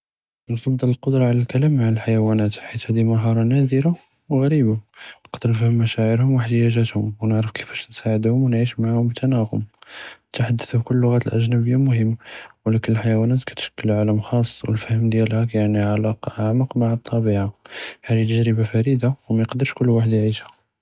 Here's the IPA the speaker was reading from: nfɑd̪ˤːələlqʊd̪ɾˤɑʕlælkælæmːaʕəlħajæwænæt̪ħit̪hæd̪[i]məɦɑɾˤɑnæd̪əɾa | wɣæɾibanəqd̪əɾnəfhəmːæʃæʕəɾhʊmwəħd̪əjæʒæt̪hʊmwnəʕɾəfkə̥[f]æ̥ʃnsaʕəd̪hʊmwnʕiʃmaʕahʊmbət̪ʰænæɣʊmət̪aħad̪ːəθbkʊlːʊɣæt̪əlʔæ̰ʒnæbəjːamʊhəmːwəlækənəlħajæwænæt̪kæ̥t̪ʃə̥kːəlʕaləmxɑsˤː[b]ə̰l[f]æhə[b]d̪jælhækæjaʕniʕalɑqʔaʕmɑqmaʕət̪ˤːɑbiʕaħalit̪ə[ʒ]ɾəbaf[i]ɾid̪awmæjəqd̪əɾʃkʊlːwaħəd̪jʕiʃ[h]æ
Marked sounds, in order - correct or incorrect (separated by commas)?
correct, correct, incorrect, correct, incorrect, correct, incorrect, correct